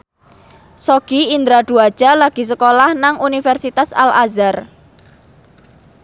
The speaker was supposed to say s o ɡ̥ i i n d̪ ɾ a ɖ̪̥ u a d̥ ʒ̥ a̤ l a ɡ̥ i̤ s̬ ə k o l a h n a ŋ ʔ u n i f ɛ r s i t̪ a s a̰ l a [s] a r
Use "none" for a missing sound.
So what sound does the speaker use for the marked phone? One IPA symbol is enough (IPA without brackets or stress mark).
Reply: z